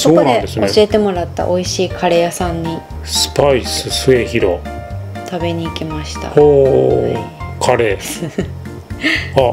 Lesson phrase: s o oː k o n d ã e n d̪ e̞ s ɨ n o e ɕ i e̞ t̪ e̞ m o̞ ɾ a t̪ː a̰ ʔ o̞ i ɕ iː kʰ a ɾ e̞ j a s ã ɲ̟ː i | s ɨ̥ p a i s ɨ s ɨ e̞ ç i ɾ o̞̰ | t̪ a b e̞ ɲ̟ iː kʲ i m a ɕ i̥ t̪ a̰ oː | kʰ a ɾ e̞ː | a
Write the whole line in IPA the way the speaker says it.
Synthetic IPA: s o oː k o n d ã e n d̪ e̞ s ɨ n o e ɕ i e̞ t̪ e̞ m o̞ ɾ a t̪ː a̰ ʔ o̞ i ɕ iː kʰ a ɾ e̞ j a s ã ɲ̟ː i | s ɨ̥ p a i s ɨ s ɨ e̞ ç i ɾ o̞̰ | t̪ a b e̞ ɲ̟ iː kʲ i m a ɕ i̥ t̪ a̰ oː | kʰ a ɾ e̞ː | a